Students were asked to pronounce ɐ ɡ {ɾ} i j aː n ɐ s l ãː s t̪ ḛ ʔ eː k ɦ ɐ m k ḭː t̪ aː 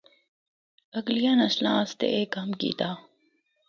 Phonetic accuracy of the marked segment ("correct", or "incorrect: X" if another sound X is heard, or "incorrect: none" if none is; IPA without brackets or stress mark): incorrect: l